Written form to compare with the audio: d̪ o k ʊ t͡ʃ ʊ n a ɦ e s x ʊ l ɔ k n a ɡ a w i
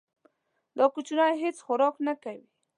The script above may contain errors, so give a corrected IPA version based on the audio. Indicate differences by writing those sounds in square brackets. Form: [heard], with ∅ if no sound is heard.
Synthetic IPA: d̪ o k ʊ t͡ʃ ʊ n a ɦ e [t͡s] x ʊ [ɾ] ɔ k n a [k] a w i